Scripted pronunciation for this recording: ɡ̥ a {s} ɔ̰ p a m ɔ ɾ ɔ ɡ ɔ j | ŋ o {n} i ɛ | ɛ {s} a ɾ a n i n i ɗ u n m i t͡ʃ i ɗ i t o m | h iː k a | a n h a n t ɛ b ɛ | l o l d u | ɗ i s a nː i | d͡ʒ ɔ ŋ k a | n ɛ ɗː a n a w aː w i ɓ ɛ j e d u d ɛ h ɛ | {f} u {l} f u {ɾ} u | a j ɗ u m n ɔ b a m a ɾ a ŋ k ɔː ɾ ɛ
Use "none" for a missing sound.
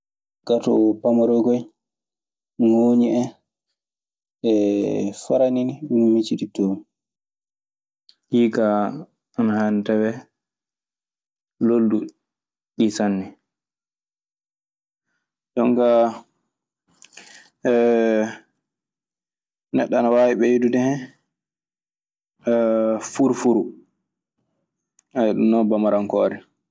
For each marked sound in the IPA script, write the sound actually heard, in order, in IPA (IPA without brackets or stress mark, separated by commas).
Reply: t, ɲ, f, f, ɾ, ɾ